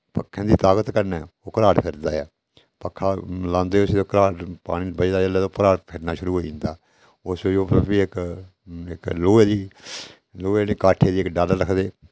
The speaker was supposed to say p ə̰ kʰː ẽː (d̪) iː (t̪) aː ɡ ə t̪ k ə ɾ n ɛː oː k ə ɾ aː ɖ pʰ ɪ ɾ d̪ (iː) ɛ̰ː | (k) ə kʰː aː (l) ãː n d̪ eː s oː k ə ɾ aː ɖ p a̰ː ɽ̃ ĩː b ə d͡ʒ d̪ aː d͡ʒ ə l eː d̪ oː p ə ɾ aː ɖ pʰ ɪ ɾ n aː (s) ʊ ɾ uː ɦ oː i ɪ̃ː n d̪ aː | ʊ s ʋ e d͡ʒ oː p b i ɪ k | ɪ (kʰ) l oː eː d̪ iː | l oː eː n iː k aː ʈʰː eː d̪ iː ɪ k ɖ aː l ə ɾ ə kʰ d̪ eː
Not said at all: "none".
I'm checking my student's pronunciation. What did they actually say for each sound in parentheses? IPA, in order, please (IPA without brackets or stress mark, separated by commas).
d̪, t̪, aː, p, l, ʃ, k